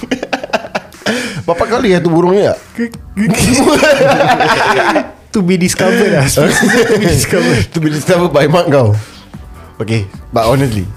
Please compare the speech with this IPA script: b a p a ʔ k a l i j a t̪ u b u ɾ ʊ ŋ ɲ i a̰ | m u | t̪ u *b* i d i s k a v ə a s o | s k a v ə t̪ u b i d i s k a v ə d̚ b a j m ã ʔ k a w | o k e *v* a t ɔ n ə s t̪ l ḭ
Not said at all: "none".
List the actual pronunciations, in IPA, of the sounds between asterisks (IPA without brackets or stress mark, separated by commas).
b, b